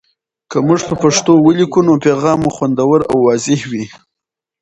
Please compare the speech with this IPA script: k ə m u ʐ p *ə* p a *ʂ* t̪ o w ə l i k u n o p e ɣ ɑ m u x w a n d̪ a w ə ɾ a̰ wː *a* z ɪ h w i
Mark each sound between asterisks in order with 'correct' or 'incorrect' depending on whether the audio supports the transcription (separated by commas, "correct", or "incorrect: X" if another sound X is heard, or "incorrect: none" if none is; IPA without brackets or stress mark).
correct, correct, incorrect: ɑ